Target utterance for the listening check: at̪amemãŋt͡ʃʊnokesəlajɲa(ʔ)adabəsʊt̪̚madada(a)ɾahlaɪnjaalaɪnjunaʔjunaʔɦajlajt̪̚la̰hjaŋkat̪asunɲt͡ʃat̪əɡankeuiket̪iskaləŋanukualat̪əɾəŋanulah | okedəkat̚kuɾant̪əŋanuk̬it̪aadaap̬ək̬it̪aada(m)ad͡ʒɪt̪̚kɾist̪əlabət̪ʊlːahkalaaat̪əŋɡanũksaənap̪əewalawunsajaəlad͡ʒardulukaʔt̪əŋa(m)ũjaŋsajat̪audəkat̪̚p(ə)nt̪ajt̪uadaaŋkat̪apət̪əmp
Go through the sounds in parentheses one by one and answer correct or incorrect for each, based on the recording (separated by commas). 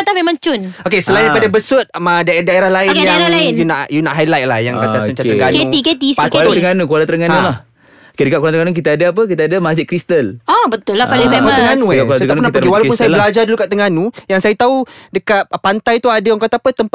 incorrect, incorrect, correct, incorrect, incorrect